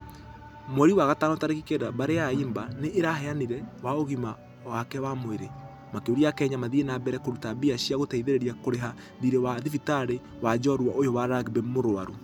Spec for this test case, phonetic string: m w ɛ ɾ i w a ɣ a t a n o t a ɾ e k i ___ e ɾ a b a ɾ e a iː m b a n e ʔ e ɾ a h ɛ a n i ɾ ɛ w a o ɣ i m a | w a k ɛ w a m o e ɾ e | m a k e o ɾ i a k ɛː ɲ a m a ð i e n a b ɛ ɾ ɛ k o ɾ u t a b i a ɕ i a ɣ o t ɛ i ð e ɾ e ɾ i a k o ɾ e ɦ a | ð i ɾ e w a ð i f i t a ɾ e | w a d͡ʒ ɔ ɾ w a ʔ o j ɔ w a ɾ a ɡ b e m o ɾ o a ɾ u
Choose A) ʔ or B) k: B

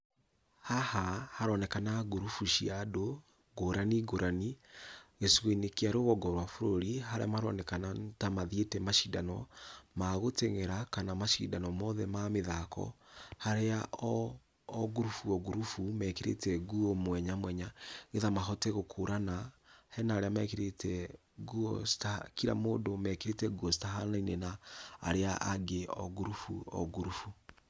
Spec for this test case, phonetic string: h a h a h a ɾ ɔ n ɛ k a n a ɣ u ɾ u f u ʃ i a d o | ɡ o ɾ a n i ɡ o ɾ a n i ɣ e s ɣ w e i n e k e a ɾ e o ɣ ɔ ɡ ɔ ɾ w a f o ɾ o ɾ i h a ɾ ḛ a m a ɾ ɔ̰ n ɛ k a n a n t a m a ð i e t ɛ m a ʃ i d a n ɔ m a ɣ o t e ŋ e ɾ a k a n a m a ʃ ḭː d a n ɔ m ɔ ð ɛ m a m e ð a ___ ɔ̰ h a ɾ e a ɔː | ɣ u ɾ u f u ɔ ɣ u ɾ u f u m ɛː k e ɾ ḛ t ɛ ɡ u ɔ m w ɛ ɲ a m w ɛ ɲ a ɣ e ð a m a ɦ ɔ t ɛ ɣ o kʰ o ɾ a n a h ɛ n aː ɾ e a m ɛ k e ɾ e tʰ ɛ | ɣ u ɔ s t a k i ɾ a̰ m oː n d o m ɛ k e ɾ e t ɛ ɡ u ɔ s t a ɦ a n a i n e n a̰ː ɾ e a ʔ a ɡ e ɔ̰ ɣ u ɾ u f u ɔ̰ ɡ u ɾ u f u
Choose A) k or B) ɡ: A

